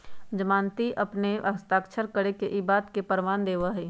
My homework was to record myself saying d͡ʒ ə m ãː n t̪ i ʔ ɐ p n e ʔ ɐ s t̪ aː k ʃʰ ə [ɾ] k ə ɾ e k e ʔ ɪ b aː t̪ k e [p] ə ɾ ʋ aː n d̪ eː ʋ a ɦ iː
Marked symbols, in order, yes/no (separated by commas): yes, yes